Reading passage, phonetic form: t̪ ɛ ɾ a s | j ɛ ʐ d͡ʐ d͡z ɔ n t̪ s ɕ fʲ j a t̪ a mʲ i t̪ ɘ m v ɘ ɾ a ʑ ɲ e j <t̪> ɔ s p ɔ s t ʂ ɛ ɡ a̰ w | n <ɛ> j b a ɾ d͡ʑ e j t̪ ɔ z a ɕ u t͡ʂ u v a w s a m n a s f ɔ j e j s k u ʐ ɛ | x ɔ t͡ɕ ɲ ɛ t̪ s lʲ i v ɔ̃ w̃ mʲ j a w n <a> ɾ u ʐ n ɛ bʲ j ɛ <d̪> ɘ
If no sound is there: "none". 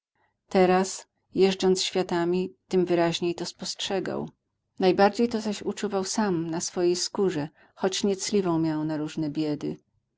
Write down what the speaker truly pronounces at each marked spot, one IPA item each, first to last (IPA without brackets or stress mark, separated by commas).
t̪, a, a, d̪